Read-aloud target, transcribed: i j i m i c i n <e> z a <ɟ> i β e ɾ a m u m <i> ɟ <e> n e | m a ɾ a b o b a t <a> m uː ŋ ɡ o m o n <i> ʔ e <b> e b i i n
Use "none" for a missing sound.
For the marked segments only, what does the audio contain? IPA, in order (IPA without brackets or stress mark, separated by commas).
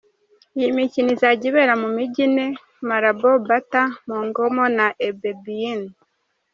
i, ɟ, i, i, a, a, b